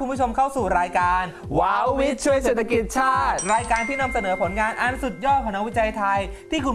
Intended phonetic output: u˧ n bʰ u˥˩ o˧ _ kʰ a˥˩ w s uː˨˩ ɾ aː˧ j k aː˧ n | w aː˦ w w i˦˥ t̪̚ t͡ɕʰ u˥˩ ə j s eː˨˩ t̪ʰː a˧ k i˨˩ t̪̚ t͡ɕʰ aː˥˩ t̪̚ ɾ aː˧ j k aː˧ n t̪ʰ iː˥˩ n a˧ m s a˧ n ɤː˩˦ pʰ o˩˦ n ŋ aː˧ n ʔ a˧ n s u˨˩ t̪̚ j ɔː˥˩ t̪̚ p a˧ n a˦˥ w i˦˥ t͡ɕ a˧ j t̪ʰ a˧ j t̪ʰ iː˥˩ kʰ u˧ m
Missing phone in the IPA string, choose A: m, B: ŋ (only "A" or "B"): A